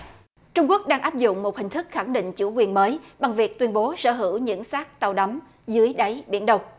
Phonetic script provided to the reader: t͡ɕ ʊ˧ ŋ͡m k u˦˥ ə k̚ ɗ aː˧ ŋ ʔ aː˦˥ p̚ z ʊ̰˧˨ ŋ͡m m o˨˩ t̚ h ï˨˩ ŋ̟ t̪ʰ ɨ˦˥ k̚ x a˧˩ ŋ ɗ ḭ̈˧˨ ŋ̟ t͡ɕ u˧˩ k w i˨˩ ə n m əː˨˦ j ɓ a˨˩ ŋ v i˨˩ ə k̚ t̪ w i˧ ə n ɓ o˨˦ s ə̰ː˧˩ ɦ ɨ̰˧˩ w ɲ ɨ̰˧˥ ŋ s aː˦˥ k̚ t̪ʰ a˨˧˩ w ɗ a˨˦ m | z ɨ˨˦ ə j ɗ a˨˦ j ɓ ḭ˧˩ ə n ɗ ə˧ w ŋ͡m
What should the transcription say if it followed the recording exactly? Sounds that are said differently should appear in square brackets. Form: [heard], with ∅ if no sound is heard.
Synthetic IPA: t͡ɕ ʊ˧ ŋ͡m k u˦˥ ə k̚ ɗ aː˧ ŋ ʔ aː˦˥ p̚ z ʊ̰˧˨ ŋ͡m m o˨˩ t̚ h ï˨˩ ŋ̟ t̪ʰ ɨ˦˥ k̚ x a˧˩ ŋ ɗ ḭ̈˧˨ ŋ̟ t͡ɕ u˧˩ k w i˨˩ ə n m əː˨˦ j ɓ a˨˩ ŋ v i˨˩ ə k̚ t̪ w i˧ ə n ɓ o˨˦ s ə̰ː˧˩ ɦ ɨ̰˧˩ w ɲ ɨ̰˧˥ ŋ s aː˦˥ k̚ [t̪] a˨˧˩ w ɗ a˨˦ m | z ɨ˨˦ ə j ɗ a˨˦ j ɓ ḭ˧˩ ə n ɗ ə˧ w ŋ͡m